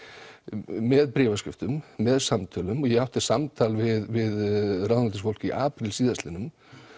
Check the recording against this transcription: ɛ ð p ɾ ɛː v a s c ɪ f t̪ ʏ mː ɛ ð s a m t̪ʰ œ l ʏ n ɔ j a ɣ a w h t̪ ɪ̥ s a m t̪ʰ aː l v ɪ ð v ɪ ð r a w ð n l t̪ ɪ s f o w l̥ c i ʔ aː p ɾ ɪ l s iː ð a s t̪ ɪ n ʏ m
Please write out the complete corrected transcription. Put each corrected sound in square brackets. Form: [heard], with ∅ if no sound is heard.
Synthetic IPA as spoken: ɛ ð p ɾ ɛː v a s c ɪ f t̪ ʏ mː ɛ ð s a m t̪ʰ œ l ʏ [m] ɔ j [ɛ] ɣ a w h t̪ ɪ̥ s a m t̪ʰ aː l v ɪ ð v ɪ ð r a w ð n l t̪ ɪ s f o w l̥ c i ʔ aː p ɾ ɪ l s iː ð a s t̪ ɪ n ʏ m